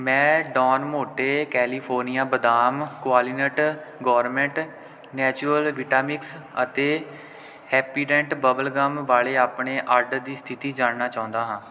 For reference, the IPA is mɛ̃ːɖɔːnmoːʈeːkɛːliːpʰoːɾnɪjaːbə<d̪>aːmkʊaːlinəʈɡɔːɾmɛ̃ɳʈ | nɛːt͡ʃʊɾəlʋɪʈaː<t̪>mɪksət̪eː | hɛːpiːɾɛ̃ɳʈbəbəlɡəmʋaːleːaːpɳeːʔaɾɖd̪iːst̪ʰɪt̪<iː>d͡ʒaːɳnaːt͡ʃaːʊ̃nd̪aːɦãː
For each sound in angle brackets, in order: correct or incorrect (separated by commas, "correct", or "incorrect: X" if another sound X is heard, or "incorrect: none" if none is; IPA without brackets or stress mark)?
correct, incorrect: none, correct